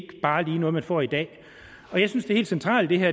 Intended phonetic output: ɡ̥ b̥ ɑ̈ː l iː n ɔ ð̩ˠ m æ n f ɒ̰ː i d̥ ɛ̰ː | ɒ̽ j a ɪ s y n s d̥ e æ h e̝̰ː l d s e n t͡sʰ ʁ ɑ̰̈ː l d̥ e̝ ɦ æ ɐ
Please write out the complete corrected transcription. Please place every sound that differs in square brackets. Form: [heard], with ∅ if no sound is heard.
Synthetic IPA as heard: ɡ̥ b̥ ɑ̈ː l iː n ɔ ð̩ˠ m æ n f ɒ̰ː i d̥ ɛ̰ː | ɒ̽ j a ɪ s y n s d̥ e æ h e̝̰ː l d s e n t͡sʰ ʁ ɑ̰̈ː l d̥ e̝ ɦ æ ɐ